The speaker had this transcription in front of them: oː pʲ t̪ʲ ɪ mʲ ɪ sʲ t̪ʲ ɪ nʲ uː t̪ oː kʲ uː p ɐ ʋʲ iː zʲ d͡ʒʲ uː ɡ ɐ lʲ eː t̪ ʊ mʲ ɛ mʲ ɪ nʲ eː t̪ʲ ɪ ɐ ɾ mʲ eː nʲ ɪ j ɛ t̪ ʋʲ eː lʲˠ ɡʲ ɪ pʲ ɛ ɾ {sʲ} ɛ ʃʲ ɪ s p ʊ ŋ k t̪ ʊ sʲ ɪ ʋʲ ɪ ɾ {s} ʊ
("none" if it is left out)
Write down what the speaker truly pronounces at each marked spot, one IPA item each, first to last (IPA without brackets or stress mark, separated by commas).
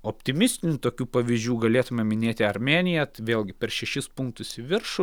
ʃʲ, ʃ